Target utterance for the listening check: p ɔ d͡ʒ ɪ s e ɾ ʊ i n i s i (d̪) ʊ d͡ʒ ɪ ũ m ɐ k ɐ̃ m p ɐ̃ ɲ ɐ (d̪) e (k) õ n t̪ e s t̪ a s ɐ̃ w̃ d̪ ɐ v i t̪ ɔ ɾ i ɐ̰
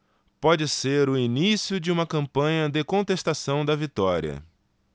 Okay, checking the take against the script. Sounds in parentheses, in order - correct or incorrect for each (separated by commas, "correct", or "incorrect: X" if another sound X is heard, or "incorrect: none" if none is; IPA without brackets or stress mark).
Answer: incorrect: none, correct, correct